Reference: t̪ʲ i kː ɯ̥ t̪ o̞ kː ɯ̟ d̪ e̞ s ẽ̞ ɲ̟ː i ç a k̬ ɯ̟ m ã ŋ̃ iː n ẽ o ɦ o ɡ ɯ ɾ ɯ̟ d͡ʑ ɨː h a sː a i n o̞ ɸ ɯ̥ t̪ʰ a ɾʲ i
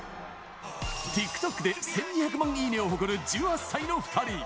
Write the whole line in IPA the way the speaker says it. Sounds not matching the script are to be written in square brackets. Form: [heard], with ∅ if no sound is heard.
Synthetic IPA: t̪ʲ i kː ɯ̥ t̪ o̞ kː ɯ̟ d̪ e̞ s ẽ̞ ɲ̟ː i ç a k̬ ɯ̟ m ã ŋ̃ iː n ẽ o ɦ o [k] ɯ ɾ ɯ̟ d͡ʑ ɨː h a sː a i n o̞ ɸ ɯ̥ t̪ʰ a ɾʲ i